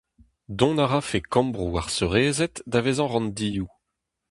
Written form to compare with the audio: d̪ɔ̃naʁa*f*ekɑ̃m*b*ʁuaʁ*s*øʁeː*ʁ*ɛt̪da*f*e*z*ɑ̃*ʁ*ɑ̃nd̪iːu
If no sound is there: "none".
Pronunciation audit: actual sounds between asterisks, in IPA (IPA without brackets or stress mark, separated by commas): f, b, s, z, v, z, ʁ